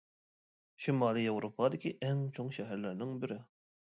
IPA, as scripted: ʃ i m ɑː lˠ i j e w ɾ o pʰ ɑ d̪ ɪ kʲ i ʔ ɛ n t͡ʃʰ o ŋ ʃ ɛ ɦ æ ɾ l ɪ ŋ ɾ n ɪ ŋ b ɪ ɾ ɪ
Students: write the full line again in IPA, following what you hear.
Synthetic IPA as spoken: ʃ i m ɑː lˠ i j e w ɾ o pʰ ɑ d̪ ɪ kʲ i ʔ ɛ ŋ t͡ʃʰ o ŋ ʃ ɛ ɦ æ ɾ l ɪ ɾ n ɪ ŋ b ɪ ɾ ɪ